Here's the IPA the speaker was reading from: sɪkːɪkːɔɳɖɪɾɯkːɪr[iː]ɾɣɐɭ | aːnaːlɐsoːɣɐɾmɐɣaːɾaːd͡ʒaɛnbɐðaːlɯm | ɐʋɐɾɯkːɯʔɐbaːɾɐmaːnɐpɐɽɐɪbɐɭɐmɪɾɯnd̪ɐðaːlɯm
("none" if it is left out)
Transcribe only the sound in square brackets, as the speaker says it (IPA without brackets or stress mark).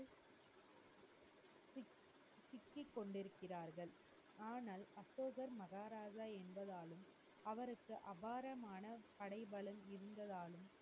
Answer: aː